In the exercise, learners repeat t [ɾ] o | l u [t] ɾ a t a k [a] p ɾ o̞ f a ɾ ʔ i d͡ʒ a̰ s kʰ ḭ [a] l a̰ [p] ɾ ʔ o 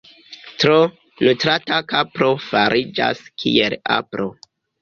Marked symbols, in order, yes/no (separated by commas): yes, yes, yes, no, yes